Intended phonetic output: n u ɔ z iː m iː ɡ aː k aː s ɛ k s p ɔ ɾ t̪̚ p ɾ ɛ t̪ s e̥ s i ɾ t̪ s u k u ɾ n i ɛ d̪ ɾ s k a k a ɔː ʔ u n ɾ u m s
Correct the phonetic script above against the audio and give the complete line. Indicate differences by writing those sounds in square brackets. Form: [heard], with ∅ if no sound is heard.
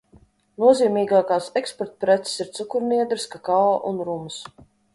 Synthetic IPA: n u ɔ z iː m iː ɡ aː k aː s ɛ k s p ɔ ɾ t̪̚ p ɾ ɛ t̪ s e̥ s i ɾ t̪ s u k u ɾ n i ɛ d̪ ɾ s k a k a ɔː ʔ u n ɾ u m s